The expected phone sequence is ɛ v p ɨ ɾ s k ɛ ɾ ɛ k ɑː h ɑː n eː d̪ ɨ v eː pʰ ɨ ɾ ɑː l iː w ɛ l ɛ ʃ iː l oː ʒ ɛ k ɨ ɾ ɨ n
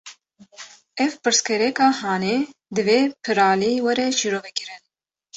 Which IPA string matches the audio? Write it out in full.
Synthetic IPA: ɛ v p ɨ ɾ s k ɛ ɾ ɛ k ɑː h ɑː n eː d̪ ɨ v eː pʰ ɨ ɾ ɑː l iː w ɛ ɾ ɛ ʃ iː ɾ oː v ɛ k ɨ ɾ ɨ n